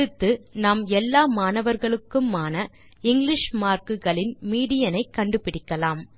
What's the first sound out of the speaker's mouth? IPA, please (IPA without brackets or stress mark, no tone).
ɯ